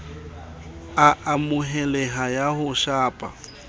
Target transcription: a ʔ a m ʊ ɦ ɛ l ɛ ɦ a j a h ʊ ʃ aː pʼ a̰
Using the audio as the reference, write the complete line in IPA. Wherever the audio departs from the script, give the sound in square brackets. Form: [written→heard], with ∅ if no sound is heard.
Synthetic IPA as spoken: a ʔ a m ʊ ɦ ɛ l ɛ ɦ a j a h ʊ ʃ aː pʼ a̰